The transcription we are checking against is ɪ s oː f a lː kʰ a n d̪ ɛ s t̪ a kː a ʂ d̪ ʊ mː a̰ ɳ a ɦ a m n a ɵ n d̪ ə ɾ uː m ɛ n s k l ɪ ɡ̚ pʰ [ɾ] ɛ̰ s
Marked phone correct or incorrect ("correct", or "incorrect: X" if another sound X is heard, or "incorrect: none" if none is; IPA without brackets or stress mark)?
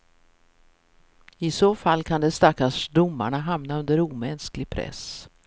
correct